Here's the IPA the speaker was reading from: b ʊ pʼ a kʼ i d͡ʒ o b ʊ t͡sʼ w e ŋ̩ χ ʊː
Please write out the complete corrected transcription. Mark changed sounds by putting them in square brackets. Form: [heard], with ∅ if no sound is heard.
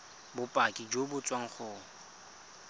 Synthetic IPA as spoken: b ʊ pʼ a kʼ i d͡ʒ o b ʊ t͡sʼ w [a] ŋ̩ χ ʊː